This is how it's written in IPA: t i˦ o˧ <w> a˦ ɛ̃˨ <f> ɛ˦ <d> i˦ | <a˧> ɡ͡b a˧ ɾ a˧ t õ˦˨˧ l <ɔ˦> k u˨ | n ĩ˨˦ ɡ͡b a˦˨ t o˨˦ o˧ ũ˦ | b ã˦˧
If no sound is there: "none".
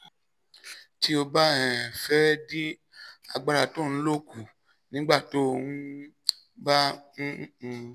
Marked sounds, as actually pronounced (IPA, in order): b, f, d, a˧, o˦

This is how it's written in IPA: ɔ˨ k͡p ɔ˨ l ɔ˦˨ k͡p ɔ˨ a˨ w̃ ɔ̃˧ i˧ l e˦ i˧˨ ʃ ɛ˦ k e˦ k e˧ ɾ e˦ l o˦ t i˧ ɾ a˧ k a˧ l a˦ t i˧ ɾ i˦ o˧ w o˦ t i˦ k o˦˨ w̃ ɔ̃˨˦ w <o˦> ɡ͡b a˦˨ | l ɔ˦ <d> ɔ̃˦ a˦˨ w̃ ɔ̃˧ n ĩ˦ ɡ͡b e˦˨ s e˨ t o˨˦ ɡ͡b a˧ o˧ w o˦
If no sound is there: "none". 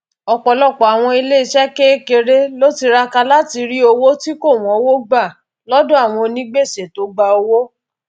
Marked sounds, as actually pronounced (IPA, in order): o˦, d

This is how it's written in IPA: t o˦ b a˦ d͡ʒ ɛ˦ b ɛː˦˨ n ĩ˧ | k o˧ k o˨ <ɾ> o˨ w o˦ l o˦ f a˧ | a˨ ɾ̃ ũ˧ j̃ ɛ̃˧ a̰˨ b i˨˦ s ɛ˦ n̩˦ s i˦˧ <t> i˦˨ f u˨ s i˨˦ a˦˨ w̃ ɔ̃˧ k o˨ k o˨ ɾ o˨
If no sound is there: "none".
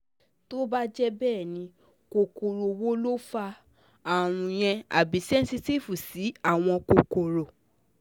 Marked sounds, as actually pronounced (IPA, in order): ɾ, t

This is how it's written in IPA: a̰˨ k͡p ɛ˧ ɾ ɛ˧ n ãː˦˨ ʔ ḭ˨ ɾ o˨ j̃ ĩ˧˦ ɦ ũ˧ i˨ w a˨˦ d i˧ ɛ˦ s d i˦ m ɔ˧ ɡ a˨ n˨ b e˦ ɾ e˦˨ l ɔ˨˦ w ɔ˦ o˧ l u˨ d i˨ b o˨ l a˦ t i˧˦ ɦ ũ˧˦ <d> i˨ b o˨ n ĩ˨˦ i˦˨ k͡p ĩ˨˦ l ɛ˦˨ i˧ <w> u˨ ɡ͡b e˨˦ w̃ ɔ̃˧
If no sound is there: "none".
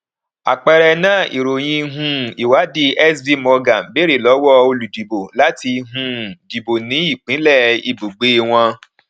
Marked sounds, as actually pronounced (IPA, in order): d, b

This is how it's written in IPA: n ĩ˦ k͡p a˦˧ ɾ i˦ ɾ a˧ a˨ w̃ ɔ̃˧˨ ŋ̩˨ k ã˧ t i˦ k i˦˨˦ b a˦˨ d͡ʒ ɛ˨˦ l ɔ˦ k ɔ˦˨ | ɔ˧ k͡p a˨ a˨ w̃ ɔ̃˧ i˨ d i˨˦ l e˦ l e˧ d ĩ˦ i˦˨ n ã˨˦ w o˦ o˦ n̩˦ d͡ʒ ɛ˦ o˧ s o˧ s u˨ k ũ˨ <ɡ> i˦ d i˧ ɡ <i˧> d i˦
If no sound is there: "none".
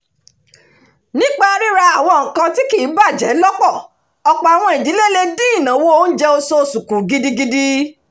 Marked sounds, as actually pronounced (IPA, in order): ɡ, i˧

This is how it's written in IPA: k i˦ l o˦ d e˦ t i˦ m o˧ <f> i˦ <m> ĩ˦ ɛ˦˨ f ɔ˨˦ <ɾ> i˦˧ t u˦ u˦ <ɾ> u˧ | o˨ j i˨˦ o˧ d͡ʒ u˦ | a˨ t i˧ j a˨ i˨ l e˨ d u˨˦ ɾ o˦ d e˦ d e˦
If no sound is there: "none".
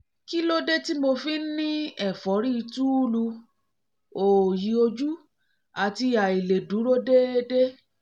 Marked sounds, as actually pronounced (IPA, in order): f, n, ɾ, l

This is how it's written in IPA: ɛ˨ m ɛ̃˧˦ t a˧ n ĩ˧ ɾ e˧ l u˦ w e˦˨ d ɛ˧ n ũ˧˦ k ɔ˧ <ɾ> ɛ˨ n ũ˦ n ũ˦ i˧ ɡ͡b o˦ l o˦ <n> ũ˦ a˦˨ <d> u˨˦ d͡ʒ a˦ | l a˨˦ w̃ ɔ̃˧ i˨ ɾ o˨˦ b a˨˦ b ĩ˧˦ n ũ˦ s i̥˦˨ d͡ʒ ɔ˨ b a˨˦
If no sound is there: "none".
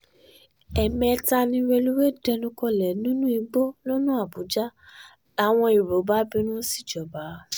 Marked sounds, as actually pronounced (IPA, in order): l, n, b

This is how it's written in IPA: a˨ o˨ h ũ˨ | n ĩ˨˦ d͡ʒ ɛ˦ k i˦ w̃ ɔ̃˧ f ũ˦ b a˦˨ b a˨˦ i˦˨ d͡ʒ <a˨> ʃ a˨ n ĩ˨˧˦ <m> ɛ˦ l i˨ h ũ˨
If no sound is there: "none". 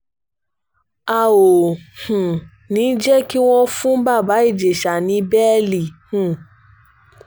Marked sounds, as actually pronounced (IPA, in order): e˨, b

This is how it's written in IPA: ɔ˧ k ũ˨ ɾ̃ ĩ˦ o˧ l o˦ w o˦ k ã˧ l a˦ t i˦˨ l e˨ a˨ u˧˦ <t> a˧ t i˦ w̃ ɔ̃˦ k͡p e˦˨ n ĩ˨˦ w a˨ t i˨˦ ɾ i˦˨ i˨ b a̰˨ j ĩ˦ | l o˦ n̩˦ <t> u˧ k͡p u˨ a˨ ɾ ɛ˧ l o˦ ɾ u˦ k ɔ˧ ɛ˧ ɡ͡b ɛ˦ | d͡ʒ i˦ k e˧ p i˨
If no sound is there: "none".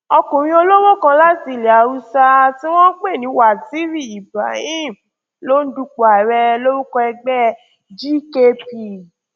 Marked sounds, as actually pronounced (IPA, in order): s, d

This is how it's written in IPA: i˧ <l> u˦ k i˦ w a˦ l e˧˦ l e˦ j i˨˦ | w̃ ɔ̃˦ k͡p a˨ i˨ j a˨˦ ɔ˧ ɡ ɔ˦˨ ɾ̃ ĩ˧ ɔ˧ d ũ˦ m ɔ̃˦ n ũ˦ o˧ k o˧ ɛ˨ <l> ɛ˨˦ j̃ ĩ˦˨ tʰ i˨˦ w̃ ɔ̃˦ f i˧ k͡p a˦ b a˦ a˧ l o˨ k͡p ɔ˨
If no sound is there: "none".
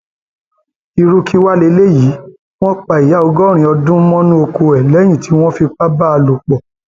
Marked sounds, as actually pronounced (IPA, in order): ɾ, l

